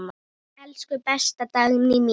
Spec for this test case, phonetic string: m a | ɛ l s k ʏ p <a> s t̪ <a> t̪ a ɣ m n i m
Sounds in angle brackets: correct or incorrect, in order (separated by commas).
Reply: incorrect, correct